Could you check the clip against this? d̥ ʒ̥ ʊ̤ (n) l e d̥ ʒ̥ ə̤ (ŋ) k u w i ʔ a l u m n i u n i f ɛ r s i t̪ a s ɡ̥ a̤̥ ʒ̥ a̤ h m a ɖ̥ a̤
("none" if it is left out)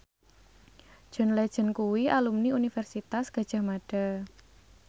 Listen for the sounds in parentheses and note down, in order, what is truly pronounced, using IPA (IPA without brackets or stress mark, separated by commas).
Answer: n, n